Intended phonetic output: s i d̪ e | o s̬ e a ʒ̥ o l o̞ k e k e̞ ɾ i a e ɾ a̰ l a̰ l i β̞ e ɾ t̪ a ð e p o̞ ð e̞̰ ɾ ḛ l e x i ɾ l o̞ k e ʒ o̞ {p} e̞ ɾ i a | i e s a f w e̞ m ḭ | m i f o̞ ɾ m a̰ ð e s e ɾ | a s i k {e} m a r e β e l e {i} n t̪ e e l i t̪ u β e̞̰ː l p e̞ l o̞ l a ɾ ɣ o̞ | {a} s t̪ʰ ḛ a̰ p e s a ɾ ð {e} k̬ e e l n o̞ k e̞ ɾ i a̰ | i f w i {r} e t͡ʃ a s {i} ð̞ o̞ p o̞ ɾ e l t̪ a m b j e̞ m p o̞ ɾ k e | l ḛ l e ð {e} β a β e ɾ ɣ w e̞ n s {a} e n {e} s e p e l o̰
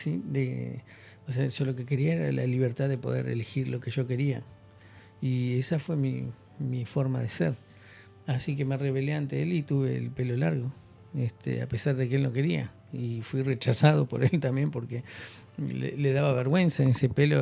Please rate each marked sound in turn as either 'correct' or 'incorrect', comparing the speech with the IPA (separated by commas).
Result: incorrect, correct, incorrect, incorrect, correct, correct, incorrect, incorrect, correct, correct